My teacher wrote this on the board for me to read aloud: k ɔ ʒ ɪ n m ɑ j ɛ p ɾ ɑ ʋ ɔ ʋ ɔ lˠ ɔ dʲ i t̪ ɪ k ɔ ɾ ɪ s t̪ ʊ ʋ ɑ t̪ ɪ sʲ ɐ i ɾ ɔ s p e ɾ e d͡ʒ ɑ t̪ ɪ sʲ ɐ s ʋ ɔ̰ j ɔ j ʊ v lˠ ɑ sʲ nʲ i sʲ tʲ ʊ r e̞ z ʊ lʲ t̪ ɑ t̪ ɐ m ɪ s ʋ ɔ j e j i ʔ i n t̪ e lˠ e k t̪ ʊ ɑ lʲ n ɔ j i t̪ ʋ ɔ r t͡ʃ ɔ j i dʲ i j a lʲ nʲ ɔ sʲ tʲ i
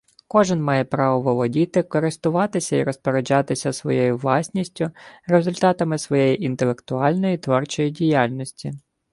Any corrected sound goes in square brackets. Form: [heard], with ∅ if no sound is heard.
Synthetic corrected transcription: k ɔ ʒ ɪ n m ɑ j ɛ p ɾ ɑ ʋ ɔ ʋ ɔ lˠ ɔ dʲ i t̪ ɪ k ɔ ɾ ɪ s t̪ ʊ ʋ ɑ t̪ ɪ sʲ ɐ i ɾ ɔ s p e ɾ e d͡ʒ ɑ t̪ ɪ sʲ ɐ s ʋ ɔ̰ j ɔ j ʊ [ʋ] lˠ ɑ sʲ nʲ i sʲ tʲ ʊ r e̞ z ʊ lʲ t̪ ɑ t̪ ɐ m ɪ s ʋ ɔ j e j i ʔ i n t̪ e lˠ e k t̪ ʊ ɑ lʲ n ɔ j i t̪ ʋ ɔ r t͡ʃ ɔ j i dʲ i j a lʲ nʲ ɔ sʲ tʲ i

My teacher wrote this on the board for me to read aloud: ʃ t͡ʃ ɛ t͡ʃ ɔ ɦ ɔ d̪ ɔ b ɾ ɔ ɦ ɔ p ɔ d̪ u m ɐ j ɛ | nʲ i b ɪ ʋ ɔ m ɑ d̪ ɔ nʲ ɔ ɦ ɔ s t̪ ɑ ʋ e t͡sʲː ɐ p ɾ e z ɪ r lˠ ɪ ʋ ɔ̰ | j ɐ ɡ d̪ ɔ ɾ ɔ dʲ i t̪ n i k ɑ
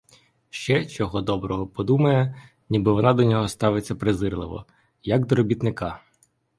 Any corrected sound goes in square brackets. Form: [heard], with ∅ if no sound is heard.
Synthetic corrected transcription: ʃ t͡ʃ ɛ t͡ʃ ɔ ɦ ɔ d̪ ɔ b ɾ ɔ ɦ ɔ p ɔ d̪ u m ɐ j ɛ | nʲ i b ɪ ʋ ɔ [n] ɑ d̪ ɔ nʲ ɔ ɦ ɔ s t̪ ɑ ʋ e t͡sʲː ɐ p ɾ e z ɪ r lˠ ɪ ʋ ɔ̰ | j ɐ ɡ d̪ ɔ ɾ ɔ [bʲ] i t̪ n [ɪ] k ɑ

